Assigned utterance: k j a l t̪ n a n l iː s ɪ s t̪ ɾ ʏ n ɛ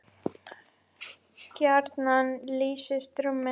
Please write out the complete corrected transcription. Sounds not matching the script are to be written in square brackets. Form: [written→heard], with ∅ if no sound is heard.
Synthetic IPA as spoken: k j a [l→ɾ] t̪ n a n l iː s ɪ s t̪ ɾ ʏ [n→m] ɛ